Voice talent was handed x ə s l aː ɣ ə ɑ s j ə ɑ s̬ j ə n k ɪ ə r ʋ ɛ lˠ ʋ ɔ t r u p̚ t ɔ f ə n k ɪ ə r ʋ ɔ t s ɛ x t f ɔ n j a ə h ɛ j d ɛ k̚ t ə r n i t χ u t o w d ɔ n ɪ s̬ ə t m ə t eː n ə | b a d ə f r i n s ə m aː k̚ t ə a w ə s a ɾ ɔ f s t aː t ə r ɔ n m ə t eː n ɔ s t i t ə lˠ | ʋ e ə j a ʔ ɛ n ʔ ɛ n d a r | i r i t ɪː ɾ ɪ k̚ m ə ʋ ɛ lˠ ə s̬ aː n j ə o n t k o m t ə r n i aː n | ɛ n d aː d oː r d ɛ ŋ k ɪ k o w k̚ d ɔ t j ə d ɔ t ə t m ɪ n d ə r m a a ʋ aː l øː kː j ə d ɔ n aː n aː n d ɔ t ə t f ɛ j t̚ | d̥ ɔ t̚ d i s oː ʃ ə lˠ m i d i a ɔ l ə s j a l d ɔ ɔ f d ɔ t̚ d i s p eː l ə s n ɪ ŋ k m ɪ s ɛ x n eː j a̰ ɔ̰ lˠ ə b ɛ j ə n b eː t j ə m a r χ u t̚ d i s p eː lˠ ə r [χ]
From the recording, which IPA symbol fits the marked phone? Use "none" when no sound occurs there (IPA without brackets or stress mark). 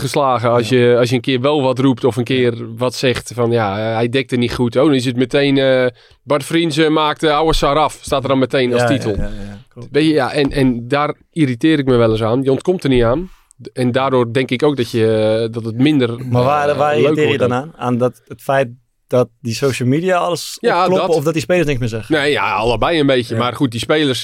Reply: s